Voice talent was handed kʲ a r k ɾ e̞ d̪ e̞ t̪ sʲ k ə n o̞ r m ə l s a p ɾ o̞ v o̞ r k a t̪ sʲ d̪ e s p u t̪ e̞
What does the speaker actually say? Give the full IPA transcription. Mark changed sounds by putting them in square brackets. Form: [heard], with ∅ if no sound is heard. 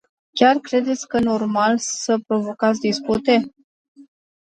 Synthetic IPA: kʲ a r k ɾ e̞ d̪ e̞ t̪ sʲ k ə n o̞ r m [a] l s [ə] p ɾ o̞ v o̞ [∅] k a t̪ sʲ d̪ [i] s p u t̪ e̞